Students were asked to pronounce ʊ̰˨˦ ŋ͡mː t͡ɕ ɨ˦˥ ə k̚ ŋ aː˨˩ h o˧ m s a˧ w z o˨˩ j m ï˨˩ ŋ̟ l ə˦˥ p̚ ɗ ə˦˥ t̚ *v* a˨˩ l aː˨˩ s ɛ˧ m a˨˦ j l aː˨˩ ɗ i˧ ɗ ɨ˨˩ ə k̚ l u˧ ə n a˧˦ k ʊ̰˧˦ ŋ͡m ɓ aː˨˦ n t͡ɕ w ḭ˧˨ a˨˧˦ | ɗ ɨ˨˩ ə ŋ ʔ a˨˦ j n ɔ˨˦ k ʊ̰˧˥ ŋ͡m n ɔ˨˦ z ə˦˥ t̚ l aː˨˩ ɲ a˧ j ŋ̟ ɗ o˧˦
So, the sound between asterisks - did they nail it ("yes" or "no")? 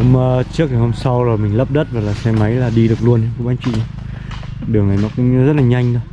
yes